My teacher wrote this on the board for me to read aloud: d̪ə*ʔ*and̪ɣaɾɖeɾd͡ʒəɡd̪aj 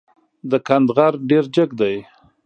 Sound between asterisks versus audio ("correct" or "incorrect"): incorrect